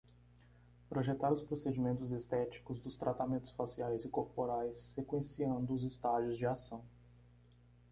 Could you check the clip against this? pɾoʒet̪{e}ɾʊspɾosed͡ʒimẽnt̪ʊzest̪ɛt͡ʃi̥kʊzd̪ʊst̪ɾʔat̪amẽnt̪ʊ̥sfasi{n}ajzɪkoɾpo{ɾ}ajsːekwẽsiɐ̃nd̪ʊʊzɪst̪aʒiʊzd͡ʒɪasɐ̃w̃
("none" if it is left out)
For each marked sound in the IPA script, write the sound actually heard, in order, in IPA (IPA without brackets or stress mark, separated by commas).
a, none, ɾ